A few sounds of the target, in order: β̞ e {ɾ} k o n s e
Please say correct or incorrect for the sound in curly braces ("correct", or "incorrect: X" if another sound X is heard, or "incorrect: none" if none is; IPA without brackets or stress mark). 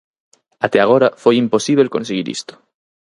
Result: incorrect: l